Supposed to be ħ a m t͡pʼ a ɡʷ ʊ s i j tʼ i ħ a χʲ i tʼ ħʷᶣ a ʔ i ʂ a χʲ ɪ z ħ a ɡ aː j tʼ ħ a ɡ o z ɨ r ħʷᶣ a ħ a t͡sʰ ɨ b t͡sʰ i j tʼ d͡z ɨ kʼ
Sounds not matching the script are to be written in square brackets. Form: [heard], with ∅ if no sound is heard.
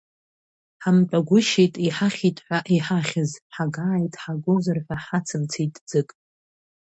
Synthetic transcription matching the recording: ħ a m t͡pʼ a ɡʷ ʊ [ʃ] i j tʼ i ħ a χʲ i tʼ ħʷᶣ a ʔ i [ħ] a χʲ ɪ z ħ a ɡ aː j tʼ ħ a ɡ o z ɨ r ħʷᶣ a ħ a t͡sʰ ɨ [m] t͡sʰ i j tʼ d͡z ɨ kʼ